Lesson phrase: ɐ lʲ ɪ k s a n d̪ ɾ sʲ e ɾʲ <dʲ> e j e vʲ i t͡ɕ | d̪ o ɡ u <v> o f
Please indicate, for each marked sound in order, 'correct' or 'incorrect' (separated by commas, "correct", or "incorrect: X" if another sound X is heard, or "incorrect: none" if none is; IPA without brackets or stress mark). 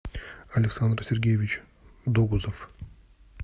incorrect: ɡʲ, incorrect: z